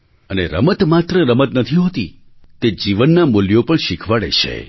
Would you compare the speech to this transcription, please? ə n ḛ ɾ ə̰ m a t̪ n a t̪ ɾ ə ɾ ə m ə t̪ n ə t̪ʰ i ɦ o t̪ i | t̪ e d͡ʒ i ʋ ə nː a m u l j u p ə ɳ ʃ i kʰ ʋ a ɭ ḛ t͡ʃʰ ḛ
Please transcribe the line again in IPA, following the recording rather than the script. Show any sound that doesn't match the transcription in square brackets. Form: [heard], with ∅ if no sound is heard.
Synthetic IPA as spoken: ə n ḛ ɾ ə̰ m [ə] t̪ [m] a t̪ ɾ ə ɾ ə m ə t̪ n ə t̪ʰ i ɦ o t̪ i | t̪ e d͡ʒ i ʋ ə nː a m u l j [o] p ə ɳ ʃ i kʰ ʋ a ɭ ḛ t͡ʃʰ ḛ